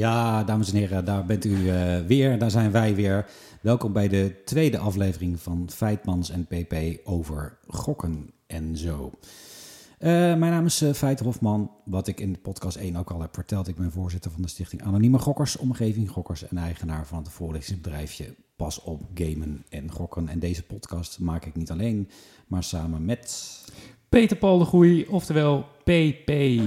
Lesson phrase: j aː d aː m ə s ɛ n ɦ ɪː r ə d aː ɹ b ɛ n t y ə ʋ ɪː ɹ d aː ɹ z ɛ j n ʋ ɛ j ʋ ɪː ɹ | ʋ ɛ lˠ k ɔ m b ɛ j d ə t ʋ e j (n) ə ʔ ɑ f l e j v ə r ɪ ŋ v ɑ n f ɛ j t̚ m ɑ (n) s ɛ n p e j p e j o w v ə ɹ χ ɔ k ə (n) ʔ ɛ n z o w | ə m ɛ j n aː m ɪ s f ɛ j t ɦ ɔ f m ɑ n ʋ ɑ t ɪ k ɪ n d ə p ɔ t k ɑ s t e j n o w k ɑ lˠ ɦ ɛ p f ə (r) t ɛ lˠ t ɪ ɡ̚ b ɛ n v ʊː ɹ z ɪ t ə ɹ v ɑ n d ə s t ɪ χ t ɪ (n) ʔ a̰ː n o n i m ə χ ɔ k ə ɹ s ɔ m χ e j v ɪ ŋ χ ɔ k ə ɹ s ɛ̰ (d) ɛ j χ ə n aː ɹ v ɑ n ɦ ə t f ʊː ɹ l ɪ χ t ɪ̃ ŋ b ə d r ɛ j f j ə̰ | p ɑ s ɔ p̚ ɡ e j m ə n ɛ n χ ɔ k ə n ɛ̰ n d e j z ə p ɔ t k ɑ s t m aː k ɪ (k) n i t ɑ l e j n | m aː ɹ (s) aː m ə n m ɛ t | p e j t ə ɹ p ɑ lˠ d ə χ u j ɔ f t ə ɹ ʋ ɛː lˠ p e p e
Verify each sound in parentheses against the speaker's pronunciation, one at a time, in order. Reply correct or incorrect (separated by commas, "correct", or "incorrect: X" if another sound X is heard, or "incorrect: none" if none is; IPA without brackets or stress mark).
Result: incorrect: d, correct, correct, incorrect: ɹ, incorrect: ŋ, incorrect: n, correct, correct